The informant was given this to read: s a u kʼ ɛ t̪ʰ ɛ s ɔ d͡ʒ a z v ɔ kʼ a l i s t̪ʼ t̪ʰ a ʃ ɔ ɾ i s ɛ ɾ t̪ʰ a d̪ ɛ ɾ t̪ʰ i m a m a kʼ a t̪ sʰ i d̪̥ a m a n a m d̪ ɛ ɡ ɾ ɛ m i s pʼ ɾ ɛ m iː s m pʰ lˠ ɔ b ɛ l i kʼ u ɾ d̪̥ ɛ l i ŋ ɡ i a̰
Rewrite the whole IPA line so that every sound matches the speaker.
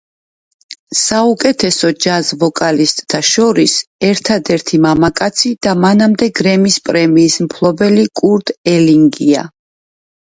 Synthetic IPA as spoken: s a u kʼ ɛ t̪ʰ ɛ s ɔ d͡ʒ a z v ɔ kʼ a l i s t̪ʼ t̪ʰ a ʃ ɔ ɾ i s ɛ ɾ t̪ʰ a d̪ ɛ ɾ t̪ʰ i m a m a kʼ a t̪ sʰ i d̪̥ a m a n a m d̪ ɛ ɡ ɾ ɛ m i s pʼ ɾ ɛ m iː s m pʰ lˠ ɔ b ɛ l i kʼ u ɾ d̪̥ ɛ l i ŋ ɡ i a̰